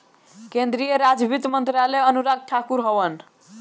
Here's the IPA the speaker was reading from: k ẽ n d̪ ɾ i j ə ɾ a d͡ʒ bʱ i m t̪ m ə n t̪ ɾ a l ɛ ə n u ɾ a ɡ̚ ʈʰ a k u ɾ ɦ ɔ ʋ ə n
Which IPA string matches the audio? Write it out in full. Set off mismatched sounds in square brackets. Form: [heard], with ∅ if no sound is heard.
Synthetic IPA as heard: k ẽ n d̪ ɾ i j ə ɾ a d͡ʒ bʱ i [∅] t̪ m ə n t̪ ɾ a l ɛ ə n u ɾ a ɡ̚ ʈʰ a k u ɾ ɦ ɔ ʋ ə n